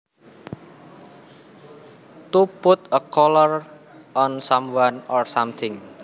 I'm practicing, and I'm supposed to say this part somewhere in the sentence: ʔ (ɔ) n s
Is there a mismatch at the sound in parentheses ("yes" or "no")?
no